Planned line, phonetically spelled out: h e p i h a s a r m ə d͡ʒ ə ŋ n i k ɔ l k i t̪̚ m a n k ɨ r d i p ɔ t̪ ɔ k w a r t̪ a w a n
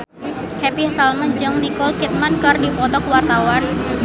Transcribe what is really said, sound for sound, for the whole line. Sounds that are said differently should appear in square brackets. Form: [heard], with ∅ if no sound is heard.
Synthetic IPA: h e p i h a s a [l] m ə d͡ʒ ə ŋ n i k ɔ l k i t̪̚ m a n k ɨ r d i p ɔ t̪ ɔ k w a r t̪ a w a n